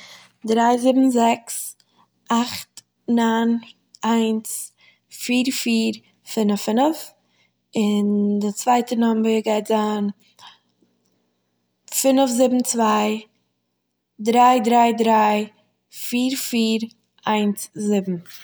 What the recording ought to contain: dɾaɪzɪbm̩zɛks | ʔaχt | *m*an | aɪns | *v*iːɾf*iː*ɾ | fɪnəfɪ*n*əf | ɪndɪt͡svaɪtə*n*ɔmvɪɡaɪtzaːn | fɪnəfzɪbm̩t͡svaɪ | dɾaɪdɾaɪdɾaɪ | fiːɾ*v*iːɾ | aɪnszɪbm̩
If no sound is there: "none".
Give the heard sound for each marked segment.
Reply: n, f, iː, n, n, f

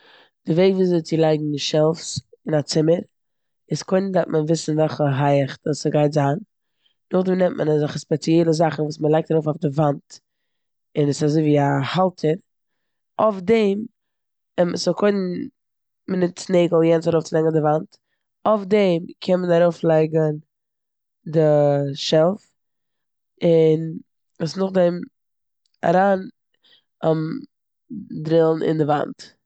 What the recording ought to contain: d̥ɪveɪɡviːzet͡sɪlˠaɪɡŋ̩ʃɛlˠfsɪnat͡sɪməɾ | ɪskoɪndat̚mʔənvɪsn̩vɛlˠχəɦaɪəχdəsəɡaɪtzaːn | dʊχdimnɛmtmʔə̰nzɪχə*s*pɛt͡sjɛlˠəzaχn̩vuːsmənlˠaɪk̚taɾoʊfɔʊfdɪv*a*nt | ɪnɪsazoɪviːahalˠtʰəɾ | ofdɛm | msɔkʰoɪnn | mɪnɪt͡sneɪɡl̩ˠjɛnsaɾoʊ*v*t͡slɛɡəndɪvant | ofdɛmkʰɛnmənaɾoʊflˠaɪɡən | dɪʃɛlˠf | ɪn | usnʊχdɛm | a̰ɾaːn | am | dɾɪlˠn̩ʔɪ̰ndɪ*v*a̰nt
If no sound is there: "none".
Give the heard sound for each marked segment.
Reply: s, a, f, v

